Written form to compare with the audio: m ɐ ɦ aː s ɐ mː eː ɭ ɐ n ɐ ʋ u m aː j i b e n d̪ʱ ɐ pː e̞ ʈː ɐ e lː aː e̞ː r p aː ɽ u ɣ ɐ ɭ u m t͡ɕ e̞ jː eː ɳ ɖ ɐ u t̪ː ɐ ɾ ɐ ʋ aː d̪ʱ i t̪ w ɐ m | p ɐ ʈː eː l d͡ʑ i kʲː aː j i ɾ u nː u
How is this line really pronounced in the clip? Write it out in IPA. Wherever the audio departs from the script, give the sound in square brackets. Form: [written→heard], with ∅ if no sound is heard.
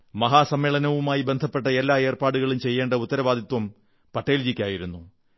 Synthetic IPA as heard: m ɐ ɦ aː s ɐ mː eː ɭ ɐ n ɐ ʋ u m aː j i b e n d̪ʱ ɐ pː e̞ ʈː ɐ e lː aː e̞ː r p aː ɽ u ɣ ɐ ɭ u m t͡ɕ e̞ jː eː ɳ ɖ ɐ u t̪ː ɐ ɾ ɐ ʋ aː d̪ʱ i t̪ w ɐ m | p ɐ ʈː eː l d͡ʑ i kʲː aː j i ɾ u nː u